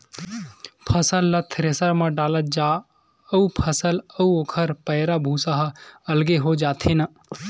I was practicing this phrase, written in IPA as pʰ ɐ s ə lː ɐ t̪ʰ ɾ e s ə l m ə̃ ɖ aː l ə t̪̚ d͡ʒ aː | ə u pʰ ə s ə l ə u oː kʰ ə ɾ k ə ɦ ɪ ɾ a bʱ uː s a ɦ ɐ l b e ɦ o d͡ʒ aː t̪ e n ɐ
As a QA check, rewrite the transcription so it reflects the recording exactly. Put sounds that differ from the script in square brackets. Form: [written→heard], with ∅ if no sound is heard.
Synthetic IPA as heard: pʰ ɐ s ə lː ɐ t̪ʰ ɾ e s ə [l→ɾ] m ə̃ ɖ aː l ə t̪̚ d͡ʒ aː | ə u pʰ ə s ə l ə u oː kʰ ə ɾ [k→p] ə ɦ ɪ ɾ a bʱ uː s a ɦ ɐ l [b→ɡ] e ɦ o d͡ʒ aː [t̪→t̪ʰ] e n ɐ